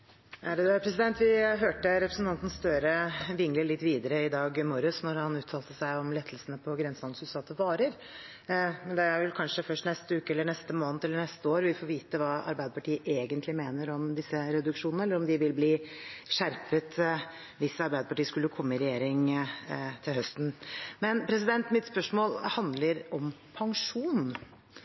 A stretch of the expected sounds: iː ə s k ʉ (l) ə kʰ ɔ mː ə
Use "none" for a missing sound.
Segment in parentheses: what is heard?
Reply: lː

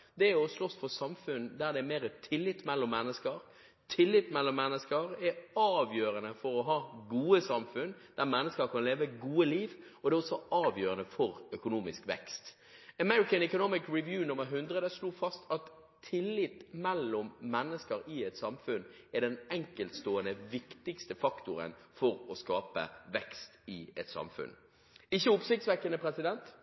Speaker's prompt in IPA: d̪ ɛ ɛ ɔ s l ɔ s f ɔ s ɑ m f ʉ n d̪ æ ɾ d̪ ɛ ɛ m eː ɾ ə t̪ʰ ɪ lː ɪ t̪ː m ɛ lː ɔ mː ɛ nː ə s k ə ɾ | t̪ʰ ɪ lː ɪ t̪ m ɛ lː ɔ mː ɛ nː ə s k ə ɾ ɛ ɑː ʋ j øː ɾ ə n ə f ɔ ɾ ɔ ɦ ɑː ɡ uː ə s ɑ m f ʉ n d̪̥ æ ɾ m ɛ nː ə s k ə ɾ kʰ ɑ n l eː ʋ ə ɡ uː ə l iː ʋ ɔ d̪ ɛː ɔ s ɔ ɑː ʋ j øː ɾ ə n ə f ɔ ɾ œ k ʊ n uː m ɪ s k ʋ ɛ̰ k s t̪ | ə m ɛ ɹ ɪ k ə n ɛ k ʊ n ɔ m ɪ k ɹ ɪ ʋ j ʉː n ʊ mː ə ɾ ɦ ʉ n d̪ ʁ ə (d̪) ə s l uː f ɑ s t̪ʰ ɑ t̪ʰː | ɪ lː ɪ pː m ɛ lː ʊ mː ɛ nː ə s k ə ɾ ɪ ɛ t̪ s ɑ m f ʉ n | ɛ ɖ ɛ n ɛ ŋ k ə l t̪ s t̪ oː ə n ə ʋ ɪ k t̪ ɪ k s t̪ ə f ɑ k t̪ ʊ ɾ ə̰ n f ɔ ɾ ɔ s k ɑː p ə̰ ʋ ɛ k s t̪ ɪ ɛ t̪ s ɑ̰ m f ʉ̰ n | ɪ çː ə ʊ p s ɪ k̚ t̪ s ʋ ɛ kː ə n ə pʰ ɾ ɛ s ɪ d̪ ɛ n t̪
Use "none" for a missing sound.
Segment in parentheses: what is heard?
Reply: d̪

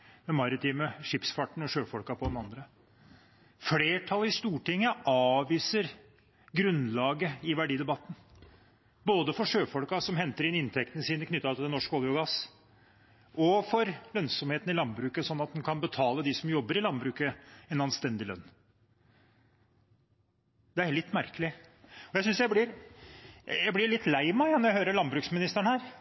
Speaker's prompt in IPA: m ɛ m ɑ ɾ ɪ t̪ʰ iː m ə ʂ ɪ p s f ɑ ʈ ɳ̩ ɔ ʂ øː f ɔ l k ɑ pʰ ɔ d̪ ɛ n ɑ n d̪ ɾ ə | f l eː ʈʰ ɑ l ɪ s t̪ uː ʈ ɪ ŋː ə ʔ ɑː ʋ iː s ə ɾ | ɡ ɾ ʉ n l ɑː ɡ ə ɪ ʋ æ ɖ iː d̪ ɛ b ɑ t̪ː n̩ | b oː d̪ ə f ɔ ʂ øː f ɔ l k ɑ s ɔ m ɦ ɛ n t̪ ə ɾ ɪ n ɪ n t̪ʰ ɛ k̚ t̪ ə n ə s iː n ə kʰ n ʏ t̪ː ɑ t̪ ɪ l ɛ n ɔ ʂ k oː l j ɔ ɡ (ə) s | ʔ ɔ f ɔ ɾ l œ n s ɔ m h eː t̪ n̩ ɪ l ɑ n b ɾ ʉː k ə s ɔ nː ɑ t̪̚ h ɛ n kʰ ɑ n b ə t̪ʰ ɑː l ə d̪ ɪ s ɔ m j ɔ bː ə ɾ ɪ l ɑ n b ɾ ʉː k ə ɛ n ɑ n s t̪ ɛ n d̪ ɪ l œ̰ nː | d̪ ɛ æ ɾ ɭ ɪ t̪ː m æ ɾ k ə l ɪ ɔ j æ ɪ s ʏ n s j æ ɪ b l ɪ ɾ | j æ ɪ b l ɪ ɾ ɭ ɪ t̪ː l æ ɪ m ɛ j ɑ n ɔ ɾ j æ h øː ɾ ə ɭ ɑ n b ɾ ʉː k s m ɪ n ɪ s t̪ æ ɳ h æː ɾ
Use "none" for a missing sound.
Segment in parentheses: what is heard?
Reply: ɑ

